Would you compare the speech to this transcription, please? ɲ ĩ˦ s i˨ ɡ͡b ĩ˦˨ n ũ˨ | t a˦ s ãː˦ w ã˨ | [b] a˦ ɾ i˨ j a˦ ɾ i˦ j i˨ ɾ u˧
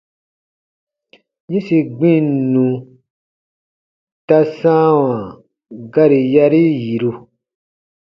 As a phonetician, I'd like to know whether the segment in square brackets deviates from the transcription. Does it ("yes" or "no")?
yes